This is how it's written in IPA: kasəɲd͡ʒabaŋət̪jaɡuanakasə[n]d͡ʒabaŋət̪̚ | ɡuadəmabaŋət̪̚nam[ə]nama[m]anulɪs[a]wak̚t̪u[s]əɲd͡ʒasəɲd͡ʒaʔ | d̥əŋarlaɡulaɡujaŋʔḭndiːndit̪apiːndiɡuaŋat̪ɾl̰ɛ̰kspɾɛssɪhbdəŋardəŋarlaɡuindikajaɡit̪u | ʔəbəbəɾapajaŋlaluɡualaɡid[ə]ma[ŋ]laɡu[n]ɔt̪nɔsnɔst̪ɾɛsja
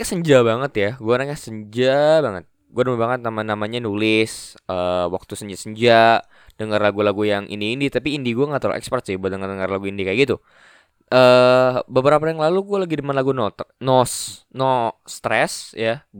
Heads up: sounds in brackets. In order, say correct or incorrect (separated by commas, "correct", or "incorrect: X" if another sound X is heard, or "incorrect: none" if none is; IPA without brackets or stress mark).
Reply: incorrect: ɲ, incorrect: a, incorrect: ɲ, incorrect: ə, correct, correct, incorrect: n, correct